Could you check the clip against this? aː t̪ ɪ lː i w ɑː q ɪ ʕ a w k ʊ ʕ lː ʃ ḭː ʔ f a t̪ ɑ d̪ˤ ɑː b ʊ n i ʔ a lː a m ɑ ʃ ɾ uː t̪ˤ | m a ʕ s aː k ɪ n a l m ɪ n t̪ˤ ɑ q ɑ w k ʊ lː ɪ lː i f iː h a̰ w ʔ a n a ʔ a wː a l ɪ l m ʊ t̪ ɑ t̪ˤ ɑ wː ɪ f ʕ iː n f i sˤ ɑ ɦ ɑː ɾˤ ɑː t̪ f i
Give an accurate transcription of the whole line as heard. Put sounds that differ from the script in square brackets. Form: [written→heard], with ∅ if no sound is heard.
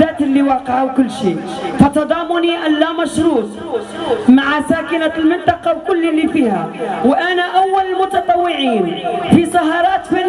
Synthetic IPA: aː t̪ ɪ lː i w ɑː q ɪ ʕ a w k ʊ [ʕ→∅] lː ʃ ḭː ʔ f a t̪ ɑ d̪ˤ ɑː [b→m] ʊ n i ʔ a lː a m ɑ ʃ ɾ uː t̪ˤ | m a ʕ s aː k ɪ n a l m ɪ n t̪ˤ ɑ q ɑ w k ʊ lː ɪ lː i f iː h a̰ w ʔ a n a ʔ a wː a l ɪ l m ʊ t̪ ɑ t̪ˤ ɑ wː ɪ [f→∅] ʕ iː n f i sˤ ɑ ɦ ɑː ɾˤ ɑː t̪ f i